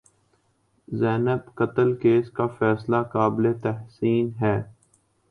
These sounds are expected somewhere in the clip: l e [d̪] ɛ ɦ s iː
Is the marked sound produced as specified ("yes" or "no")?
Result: no